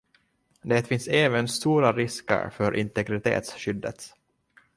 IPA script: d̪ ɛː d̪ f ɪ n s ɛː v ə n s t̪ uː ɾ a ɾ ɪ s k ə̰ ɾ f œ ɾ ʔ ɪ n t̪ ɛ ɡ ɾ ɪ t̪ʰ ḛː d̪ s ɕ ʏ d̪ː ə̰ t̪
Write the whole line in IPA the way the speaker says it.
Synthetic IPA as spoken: d̪ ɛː t̪ f ɪ n s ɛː v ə n s t̪ uː ɾ a ɾ ɪ s k ə̰ ɾ f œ ɾ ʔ ɪ n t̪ ɛ ɡ ɾ ɪ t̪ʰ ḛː t̪ s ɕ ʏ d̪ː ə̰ t̪